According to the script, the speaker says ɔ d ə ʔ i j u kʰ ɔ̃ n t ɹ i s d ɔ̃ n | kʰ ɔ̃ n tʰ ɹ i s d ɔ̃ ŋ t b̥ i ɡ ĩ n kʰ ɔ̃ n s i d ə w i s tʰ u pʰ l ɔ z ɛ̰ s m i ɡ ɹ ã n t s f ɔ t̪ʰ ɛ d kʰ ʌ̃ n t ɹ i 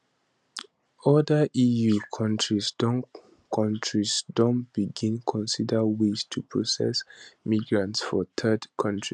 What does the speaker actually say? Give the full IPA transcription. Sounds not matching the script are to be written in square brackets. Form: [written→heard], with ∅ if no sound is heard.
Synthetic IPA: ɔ d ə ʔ i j u kʰ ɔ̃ n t ɹ i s d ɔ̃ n | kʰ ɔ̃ n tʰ ɹ i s d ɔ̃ [ŋ→n] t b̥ i ɡ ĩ n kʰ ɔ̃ n s i d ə w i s tʰ u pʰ [l→ɹ] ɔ [z→s] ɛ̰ s m i ɡ ɹ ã n t s f ɔ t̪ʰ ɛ d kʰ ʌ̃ n t ɹ i

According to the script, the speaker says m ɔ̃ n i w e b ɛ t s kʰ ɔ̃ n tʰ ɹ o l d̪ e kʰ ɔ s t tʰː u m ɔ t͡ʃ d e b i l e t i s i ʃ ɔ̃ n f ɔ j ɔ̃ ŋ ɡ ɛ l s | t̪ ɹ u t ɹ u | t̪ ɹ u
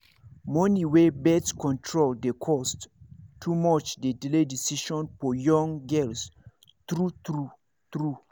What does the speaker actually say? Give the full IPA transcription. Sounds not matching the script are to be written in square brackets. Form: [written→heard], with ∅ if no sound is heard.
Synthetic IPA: m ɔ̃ n i w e b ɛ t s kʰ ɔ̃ n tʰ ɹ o l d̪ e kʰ ɔ s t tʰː u m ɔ t͡ʃ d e [b→d] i l e [t→d] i s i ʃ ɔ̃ n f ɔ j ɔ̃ ŋ ɡ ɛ l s | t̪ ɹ u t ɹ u | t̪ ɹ u

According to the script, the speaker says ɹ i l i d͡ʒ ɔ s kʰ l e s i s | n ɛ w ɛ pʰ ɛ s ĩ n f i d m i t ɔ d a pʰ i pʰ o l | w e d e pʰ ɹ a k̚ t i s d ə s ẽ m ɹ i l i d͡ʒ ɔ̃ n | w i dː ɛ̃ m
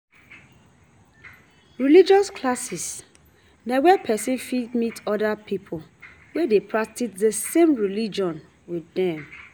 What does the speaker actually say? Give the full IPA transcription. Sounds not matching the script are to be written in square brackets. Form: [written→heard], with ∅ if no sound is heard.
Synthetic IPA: ɹ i l i d͡ʒ ɔ s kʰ l [e→a] s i s | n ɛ w ɛ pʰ ɛ s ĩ n f i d m i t ɔ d a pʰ i pʰ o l | w e d e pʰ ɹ a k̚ t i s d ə s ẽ m ɹ i l i d͡ʒ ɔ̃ n | w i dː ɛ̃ m

